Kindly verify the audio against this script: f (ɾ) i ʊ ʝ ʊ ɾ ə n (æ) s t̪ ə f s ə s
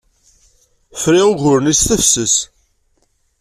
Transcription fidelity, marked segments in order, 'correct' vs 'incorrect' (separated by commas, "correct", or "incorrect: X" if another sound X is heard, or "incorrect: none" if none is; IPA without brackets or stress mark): correct, incorrect: i